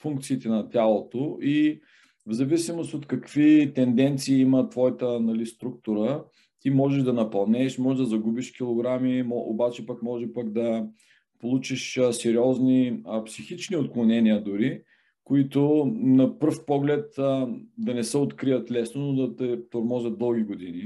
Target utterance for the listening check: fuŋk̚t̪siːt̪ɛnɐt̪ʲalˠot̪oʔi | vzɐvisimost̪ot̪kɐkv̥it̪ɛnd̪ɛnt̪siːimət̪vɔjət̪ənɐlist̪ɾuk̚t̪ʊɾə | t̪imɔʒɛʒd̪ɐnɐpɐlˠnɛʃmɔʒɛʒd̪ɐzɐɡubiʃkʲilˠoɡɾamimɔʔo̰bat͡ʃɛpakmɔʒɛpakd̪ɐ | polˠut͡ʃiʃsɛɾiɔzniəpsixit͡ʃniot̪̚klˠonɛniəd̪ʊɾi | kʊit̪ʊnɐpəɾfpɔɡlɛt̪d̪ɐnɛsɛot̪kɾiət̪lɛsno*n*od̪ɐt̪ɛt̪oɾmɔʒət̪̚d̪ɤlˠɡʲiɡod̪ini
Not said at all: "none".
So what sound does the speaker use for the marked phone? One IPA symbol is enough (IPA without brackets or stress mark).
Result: n